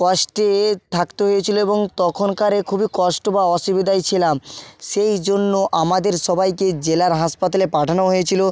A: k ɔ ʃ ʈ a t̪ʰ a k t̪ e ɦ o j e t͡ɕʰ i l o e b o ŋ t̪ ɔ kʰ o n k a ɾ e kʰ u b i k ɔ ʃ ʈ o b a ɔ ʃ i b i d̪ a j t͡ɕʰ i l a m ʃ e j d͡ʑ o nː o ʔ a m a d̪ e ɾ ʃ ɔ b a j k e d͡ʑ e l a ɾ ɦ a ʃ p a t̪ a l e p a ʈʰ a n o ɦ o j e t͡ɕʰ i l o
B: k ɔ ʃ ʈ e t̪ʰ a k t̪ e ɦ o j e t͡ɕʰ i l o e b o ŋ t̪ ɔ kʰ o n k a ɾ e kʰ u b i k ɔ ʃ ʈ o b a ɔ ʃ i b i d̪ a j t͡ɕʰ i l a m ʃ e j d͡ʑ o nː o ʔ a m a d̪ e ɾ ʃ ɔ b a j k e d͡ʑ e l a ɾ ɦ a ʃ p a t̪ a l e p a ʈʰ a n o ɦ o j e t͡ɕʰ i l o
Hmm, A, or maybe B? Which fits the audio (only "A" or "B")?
B